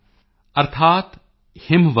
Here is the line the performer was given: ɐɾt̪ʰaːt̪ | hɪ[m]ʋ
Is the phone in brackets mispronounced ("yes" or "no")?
no